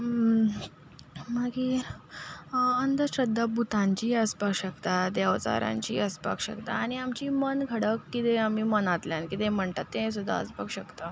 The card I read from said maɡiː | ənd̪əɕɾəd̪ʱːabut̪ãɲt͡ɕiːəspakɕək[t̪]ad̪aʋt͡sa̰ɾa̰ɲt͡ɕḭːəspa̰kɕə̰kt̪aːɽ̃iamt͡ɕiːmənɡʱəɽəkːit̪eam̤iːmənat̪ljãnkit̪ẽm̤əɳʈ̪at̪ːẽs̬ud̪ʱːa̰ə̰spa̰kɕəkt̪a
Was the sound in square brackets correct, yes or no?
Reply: yes